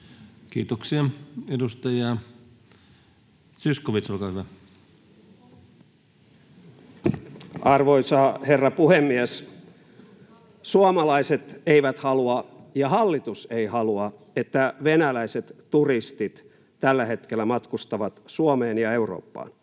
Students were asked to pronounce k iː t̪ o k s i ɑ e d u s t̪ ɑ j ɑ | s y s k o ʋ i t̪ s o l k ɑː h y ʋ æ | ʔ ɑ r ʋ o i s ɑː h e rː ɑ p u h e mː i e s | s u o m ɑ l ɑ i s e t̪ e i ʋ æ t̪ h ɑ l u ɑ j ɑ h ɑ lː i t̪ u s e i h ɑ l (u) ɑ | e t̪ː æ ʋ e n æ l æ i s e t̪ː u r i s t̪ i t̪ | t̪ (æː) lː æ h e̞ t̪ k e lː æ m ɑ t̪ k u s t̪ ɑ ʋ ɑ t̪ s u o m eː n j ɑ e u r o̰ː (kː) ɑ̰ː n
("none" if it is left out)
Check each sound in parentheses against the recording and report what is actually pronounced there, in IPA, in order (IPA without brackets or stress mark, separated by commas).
u, æ, pː